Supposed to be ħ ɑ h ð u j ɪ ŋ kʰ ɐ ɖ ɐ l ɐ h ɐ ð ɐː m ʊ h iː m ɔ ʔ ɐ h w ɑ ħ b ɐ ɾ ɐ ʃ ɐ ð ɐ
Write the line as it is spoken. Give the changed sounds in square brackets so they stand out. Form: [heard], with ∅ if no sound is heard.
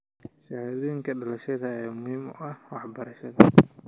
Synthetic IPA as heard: [ʃ] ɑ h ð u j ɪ ŋ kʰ ɐ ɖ ɐ l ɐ [ʃ] ɐ ð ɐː m ʊ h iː m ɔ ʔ ɐ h w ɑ ħ b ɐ ɾ ɐ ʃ ɐ ð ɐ